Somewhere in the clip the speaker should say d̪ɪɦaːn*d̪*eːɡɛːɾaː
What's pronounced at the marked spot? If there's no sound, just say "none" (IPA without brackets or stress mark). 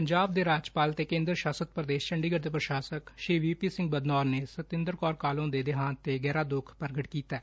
t̪